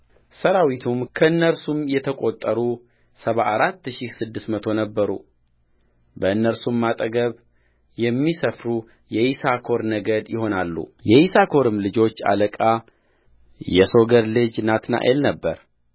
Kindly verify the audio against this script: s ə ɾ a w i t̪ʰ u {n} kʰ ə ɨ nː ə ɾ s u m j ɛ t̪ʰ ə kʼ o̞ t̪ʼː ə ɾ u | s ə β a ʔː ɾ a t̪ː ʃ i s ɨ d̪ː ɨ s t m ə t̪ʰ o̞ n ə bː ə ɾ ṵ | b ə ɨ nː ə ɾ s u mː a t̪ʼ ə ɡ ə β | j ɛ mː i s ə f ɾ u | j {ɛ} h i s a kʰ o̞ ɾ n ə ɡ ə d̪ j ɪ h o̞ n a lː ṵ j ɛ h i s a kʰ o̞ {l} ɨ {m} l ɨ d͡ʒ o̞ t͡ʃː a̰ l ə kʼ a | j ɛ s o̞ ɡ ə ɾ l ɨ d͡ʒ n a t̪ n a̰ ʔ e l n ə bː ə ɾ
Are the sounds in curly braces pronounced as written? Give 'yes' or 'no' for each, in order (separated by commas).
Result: no, yes, no, yes